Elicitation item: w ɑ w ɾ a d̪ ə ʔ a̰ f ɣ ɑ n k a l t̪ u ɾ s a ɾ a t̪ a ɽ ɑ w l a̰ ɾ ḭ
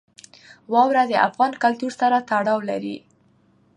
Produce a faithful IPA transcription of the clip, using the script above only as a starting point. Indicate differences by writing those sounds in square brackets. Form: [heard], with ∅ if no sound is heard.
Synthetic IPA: w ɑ w ɾ a d̪ ə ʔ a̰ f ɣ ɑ n k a l t̪ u ɾ s a ɾ a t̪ a ɽ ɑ w l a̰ ɾ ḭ